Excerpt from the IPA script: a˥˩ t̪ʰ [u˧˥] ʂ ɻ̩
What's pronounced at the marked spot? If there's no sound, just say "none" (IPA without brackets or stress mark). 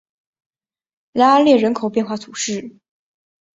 u˨˩